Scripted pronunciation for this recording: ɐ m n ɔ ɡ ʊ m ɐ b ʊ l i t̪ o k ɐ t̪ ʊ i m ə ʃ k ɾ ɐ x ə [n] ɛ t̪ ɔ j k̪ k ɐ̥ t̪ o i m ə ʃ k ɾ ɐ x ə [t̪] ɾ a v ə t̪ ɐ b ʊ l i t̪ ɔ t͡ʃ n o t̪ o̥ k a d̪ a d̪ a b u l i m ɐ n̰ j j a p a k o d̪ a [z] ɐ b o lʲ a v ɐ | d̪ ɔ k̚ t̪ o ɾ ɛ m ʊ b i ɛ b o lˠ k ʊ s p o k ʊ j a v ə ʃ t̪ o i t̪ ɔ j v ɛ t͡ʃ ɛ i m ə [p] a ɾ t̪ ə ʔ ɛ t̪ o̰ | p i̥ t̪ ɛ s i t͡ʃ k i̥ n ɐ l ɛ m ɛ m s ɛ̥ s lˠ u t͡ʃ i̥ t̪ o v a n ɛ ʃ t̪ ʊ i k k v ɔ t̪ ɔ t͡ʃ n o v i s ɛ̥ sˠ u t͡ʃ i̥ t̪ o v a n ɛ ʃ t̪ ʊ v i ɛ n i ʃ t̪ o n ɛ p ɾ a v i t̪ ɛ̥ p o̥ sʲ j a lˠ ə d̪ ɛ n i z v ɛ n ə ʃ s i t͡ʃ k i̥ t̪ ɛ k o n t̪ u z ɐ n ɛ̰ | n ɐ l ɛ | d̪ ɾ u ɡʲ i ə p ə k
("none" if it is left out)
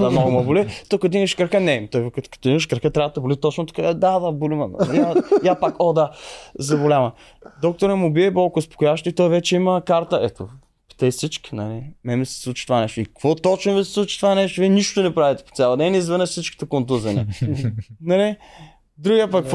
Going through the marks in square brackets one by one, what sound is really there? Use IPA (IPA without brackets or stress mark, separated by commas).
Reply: n, t̪, z, k